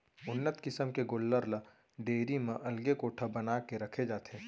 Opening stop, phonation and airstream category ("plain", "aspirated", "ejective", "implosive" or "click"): plain